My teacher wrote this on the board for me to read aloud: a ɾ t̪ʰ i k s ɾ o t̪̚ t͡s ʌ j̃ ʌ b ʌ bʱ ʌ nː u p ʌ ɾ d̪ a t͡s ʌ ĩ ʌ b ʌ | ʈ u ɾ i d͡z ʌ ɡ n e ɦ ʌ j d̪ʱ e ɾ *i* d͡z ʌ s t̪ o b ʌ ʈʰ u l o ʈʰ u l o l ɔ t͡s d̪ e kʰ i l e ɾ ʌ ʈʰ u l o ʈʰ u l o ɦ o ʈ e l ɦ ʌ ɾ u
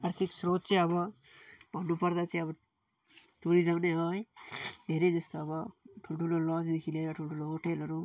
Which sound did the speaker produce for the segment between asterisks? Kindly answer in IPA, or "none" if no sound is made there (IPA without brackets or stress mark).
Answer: e